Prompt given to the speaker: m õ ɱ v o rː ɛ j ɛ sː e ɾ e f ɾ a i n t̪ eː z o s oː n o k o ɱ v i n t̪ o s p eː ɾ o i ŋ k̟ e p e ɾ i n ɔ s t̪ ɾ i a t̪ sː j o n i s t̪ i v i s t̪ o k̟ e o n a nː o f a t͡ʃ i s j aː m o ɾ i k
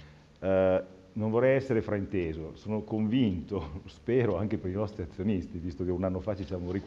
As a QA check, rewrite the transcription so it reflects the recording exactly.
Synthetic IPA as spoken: n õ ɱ v o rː ɛ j ɛ sː e ɾ e f ɾ a i n t̪ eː z o s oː n o k o ɱ v i n t̪ o s p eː ɾ o a ŋ k̟ e p e ɾ i n ɔ s t̪ ɾ i a t̪ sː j o n i s t̪ i v i s t̪ o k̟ e u n a nː o f a t͡ʃ i s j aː m o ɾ i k

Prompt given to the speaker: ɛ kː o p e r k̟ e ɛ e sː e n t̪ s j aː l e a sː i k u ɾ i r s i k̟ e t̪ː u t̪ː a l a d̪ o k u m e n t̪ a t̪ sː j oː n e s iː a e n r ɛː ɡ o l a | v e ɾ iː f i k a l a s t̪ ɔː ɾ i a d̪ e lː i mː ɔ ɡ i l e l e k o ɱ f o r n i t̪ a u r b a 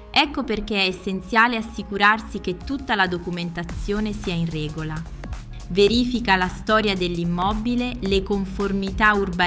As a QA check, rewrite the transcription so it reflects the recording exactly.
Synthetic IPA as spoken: ɛ kː o p e r k̟ e ɛ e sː e n t̪ s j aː l e a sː i k u ɾ a r s i k̟ e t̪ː u t̪ː a l a d̪ o k u m e n t̪ a t̪ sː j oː n e s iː a i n r ɛː ɡ o l a | v e ɾ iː f i k a l a s t̪ ɔː ɾ j a d̪ e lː i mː ɔ b i l e l e k o ɱ f o r m i t̪ a u r b a

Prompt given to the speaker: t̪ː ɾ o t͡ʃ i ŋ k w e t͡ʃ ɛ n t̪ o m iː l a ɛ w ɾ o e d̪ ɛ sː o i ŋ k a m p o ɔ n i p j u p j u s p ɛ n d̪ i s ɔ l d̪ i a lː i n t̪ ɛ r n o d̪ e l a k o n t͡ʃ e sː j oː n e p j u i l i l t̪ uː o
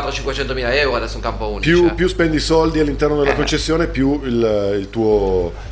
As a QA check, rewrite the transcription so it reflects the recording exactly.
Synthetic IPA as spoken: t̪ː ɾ o t͡ʃ i ŋ k w e t͡ʃ ɛ n t̪ o m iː l a ɛ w ɾ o a d̪ ɛ sː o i ŋ k a m p o u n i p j u p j u s p ɛ n d̪ i s ɔ l d̪ i a lː i n t̪ ɛ r n o d̪ e l a k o n t͡ʃ e sː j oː n e p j u i l i l t̪ uː o

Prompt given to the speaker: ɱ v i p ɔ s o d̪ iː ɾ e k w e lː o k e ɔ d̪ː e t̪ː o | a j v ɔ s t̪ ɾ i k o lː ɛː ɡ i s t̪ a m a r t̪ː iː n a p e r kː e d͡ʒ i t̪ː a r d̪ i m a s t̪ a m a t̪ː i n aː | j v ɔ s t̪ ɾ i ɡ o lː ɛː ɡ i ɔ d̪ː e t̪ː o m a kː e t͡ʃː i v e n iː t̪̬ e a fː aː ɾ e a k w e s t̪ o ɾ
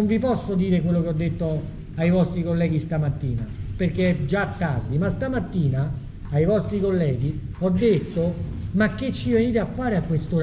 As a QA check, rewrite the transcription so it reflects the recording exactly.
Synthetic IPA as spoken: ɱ v i p ɔ sː o d̪ iː ɾ e k w e lː o k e ɔ d̪ː e t̪ː o | a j v ɔ s t̪ ɾ i k o lː ɛː ɡ i s t̪ a m a t̪ː iː n a p e r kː e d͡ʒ a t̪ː a r d̪ i m a s t̪ a m a t̪ː iː n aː | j v ɔ s t̪ ɾ i k o lː ɛː ɡ i ɔ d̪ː e t̪ː o m a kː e t͡ʃː i v e n iː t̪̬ e a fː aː ɾ e a k w e s t̪ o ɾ

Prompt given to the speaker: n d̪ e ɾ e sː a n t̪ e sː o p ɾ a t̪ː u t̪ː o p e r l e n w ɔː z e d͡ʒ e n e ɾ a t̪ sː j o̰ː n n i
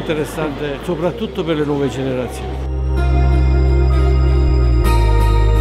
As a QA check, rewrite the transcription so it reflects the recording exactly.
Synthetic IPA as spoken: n t̪ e ɾ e sː a n t̪ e s o p ɾ a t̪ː u t̪ː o p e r l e n w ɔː v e d͡ʒ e n e ɾ a t̪ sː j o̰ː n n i

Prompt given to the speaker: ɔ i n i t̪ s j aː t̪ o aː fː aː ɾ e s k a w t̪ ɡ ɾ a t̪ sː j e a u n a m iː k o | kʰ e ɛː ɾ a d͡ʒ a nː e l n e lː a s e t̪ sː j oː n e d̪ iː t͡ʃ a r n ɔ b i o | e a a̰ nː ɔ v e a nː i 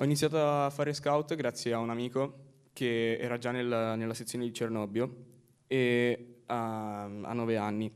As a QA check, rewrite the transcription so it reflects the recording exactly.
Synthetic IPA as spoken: ɔ i n i t̪ s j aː t̪ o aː fː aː ɾ e s k a w t̪ ɡ ɾ a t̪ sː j e a u n a m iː k o | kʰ e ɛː ɾ a d͡ʒ a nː e l n e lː a s e t̪ sː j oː n e d̪ i t͡ʃ e r n ɔ b j o | e a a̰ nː ɔ v e a nː i

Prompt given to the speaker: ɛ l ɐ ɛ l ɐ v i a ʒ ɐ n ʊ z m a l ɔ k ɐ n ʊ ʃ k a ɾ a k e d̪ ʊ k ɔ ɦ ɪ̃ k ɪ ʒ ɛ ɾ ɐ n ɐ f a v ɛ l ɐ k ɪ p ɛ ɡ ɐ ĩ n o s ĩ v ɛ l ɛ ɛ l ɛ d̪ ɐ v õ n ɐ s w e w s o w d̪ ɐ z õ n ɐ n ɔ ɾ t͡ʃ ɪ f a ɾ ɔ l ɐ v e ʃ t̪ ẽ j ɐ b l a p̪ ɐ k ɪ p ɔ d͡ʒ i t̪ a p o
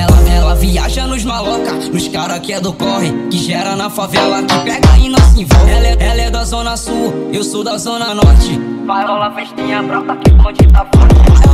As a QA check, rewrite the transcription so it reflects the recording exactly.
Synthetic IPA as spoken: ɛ l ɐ ɛ l ɐ v i a ʒ ɐ n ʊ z m a l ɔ k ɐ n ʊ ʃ k a ɾ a k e d̪ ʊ k ɔ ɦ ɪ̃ k ɪ ʒ ɛ ɾ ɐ n ɐ f a v ɛ l ɐ k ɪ p ɛ ɡ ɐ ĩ n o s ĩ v ɛ l ɛ ɛ l ɛ d̪ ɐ z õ n ɐ s u e w s o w d̪ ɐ z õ n ɐ n ɔ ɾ t͡ʃ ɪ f a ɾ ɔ l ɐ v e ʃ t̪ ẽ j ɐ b ɾ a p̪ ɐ k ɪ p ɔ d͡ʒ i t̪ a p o

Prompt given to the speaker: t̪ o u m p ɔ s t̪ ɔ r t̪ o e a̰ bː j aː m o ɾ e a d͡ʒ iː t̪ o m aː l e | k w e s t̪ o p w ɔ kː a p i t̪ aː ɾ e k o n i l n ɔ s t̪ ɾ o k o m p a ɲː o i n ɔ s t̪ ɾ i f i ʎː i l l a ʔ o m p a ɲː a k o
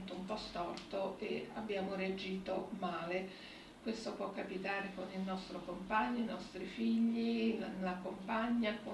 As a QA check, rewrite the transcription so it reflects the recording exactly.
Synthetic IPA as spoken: t̪ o u m p ɔ s t̪ ɔ r t̪ o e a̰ bː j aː m o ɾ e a d͡ʒ iː t̪ o m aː l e | k w e s t̪ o p w ɔ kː a p i t̪ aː ɾ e k o n i l n ɔ s t̪ ɾ o k o m p a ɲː o i n ɔ s t̪ ɾ i f i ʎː i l l a k o m p a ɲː a k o

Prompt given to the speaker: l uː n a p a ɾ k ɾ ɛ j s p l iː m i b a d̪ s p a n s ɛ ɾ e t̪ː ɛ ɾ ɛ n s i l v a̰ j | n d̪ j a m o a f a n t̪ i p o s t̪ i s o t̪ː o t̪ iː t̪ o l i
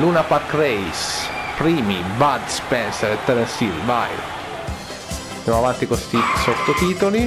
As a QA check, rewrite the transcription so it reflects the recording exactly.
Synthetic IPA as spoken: l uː n a p a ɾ k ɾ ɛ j s p ɾ iː m i b a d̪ s p ɛ n s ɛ ɾ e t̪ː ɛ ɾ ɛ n s i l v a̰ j | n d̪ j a m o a v a n t̪ i k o s t̪ i s o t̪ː o t̪ iː t̪ o l i

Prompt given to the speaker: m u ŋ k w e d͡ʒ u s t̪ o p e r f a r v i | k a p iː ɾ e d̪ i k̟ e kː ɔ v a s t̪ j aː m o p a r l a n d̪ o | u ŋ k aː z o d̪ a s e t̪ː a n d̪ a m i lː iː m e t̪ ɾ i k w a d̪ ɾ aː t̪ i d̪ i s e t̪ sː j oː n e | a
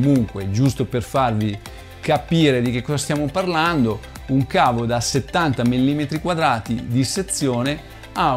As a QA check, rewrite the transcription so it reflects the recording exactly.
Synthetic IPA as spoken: m u ŋ k w e d͡ʒ u s t̪ o p e r f a r v i | k a p iː ɾ e d̪ i k̟ e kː ɔ z a s t̪ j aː m o p a r l a n d̪ o | u ŋ k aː v o d̪ a s e t̪ː a n t̪ a m i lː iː m e t̪ ɾ i k w a d̪ ɾ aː t̪ i d̪ i s e t̪ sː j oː n e | a

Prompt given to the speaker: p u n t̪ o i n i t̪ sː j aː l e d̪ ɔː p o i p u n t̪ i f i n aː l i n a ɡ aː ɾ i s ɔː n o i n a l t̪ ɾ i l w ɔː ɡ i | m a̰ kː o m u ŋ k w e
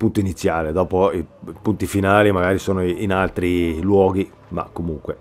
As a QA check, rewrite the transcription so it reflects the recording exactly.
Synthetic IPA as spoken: p u n t̪ o i n i t̪ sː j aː l e d̪ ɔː p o i p u n t̪ i f i n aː l i m a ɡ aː ɾ i s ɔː n o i n a l t̪ ɾ i l w ɔː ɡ i | m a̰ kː o m u ŋ k w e

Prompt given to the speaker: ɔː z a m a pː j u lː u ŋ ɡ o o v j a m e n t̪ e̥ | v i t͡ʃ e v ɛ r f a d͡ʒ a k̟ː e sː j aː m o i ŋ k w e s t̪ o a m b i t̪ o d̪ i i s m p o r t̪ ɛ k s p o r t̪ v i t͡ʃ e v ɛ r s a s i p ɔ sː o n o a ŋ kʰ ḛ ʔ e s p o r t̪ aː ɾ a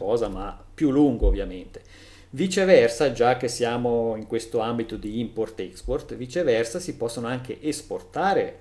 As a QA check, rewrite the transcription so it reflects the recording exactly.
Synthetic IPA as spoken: ɔː z a m a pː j u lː u ŋ ɡ o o v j a m e n t̪ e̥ | v i t͡ʃ e v ɛ r s a d͡ʒ a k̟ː e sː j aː m o i ŋ k w e s t̪ o a m b i t̪ o d̪ i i m p o r t̪ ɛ k s p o r t̪ v i t͡ʃ e v ɛ r s a s i p ɔ sː o n o a ŋ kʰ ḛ ʔ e s p o r t̪ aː ɾ e

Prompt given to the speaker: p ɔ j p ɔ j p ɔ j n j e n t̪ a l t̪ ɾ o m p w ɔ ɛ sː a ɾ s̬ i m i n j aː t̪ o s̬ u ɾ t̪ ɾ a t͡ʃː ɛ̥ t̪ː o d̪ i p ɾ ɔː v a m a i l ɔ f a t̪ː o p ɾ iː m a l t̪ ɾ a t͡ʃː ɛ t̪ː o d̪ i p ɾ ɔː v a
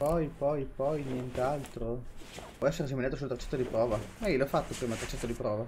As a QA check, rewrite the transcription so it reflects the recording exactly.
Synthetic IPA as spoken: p ɔ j p ɔ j p ɔ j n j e n t̪ a l t̪ ɾ o p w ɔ ɛ sː e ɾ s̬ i m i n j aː t̪ o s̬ u l t̪ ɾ a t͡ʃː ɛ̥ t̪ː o d̪ i p ɾ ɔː v a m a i l ɔ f a t̪ː o p ɾ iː m a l t̪ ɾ a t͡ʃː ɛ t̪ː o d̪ i p ɾ ɔː v a

